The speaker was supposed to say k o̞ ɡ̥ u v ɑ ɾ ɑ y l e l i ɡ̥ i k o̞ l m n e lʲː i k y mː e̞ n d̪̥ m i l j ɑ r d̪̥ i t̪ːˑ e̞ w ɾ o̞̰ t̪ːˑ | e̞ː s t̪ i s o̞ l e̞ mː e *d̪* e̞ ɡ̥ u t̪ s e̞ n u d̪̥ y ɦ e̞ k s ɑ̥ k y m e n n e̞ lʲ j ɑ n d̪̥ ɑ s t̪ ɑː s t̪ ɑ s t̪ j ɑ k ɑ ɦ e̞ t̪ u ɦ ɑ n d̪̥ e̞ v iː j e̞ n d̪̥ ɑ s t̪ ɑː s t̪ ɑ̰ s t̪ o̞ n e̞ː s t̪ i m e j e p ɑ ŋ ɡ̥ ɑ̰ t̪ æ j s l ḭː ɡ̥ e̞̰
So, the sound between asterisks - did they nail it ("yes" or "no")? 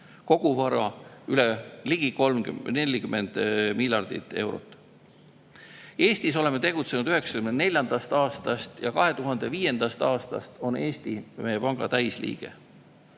no